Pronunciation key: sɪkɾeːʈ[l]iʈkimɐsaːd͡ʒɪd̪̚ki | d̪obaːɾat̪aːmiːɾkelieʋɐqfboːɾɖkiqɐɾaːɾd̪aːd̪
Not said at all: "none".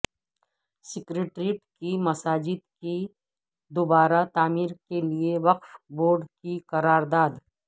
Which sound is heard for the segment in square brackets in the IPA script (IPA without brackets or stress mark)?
ɾ